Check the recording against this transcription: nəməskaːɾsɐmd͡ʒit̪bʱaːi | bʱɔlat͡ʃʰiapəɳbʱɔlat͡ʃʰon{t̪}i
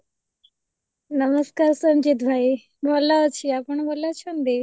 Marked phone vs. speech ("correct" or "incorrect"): incorrect